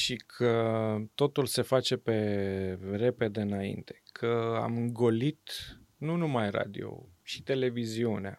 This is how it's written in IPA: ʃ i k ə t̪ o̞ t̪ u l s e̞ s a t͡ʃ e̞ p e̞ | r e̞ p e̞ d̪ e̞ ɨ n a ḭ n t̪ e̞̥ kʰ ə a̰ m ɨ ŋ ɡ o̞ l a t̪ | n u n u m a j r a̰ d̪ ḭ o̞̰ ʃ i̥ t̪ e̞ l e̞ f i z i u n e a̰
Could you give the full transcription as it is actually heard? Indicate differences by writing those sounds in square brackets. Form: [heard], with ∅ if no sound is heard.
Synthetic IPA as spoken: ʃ i [kʰ] ə t̪ o̞ t̪ u l s e̞ [f] a t͡ʃ e̞ p e̞ | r e̞ p e̞ d̪ e̞ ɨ n a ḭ n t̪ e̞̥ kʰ ə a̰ m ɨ ŋ ɡ o̞ l [i] t̪ | n u n u m a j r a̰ d̪ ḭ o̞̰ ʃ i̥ t̪ e̞ l e̞ [v] i z i u n e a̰